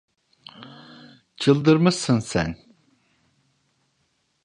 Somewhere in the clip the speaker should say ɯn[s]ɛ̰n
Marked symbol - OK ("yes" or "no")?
yes